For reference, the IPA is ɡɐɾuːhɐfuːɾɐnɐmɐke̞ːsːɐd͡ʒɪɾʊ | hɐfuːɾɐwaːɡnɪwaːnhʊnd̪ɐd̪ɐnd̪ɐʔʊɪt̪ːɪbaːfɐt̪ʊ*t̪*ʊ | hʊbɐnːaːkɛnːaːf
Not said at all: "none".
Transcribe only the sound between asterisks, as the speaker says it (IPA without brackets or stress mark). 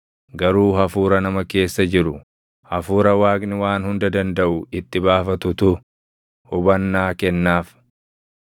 t̪